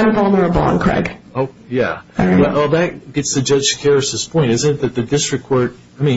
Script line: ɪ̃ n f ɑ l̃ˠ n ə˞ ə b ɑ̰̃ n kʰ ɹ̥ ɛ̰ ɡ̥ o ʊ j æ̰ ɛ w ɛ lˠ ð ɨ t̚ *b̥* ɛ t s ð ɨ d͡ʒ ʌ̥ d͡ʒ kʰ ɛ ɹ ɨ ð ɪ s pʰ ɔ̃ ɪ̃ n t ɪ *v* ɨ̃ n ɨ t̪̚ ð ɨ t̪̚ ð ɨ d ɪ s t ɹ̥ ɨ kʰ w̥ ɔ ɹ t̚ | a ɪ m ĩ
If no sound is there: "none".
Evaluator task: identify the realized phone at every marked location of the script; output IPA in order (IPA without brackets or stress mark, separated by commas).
ɡ̥, z